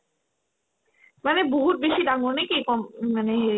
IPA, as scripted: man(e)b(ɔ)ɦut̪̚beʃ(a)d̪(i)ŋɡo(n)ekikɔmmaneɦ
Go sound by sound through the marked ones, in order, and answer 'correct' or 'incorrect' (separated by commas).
correct, incorrect, incorrect, incorrect, correct